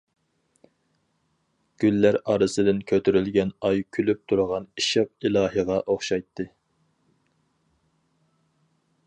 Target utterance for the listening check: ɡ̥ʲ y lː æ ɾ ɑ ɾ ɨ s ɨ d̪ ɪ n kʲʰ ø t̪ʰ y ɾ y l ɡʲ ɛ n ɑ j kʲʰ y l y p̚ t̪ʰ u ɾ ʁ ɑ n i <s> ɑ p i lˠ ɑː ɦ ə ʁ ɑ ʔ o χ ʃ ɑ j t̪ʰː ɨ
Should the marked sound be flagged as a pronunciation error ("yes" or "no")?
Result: yes